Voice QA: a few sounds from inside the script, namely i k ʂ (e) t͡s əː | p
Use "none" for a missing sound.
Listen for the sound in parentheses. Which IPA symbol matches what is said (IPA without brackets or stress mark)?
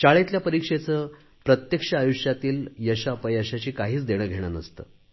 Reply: e